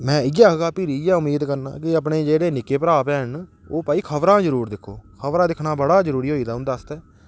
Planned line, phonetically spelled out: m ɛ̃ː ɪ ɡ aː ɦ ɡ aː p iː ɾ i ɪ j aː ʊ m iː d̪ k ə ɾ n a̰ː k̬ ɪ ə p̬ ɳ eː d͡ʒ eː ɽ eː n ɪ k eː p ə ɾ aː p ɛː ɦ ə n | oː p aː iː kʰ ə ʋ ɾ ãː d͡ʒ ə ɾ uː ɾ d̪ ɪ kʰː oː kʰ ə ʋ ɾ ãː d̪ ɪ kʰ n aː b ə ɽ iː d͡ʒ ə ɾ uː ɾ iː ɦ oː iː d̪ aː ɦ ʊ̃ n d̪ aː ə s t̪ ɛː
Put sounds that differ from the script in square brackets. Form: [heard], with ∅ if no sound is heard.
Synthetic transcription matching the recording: m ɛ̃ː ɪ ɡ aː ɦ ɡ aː p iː ɾ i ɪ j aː ʊ m iː d̪ k ə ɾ n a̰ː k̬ ɪ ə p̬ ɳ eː d͡ʒ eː ɽ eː n ɪ k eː p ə ɾ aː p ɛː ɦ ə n | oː p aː iː kʰ ə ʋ ɾ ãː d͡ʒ ə ɾ uː ɾ d̪ ɪ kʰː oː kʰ ə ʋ ɾ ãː d̪ ɪ kʰ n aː b ə ɽ [aː] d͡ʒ ə ɾ uː ɾ iː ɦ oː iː d̪ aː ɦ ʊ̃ n d̪ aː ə s t̪ ɛː